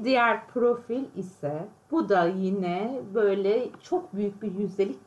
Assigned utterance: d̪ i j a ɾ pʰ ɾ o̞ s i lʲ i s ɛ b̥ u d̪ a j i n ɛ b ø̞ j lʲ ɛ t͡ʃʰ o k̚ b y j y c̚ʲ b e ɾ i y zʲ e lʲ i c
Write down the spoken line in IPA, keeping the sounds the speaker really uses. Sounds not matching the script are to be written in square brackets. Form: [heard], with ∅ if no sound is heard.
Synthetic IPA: d̪ i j [æ] ɾ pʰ ɾ o̞ [f] i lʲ i s ɛ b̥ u d̪ a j i n ɛ b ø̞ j lʲ ɛ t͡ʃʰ o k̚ b y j y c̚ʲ b [i] ɾ [j] y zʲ e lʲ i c